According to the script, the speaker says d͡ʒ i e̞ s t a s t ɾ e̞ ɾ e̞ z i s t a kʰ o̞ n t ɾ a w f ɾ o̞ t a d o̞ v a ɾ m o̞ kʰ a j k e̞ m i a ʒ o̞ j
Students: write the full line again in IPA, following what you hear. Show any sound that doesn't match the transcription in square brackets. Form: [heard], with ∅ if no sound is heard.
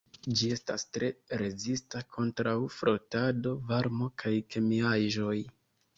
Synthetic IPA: d͡ʒ i e̞ s t a s t ɾ e̞ ɾ e̞ z i s t a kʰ o̞ n t ɾ a w f ɾ o̞ t a d o̞ v a ɾ m o̞ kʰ a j k e̞ m i a ʒ o̞ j